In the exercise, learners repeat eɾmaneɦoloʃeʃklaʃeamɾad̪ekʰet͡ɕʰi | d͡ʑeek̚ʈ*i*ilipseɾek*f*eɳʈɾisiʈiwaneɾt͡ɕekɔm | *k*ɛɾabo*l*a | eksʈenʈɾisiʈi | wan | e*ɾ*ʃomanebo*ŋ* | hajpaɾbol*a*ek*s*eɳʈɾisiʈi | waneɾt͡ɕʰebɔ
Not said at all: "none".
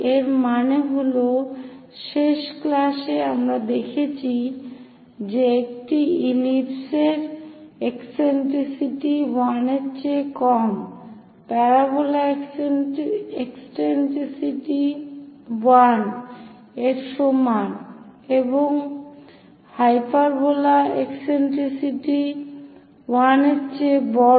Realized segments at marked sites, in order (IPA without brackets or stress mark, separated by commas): i, s, p, l, ɾ, ŋ, a, s